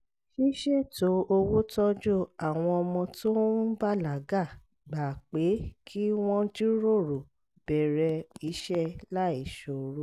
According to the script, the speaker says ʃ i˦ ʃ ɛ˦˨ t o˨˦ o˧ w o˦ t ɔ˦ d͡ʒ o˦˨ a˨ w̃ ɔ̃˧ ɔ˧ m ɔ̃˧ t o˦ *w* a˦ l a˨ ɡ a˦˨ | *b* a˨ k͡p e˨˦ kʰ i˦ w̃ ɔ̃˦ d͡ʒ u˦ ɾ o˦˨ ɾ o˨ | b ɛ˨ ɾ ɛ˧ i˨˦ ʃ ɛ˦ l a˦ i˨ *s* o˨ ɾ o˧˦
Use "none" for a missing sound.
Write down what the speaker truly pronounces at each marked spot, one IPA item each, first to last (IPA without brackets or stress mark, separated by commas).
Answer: b, ɡ͡b, ʃ